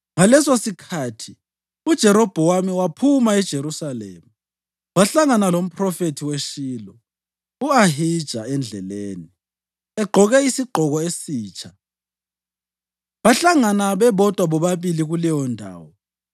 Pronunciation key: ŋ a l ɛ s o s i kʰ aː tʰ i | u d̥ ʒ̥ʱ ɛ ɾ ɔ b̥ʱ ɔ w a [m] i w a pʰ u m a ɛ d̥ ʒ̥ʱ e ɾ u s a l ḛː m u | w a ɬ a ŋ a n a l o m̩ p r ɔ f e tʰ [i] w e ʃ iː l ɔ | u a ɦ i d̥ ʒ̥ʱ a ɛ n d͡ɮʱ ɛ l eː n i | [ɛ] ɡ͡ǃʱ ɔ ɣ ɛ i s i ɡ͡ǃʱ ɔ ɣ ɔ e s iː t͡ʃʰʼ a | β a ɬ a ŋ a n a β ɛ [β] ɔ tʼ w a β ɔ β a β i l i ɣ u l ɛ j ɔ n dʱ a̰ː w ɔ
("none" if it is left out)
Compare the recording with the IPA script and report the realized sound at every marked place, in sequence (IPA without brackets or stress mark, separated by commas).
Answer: m, i, ɛ, β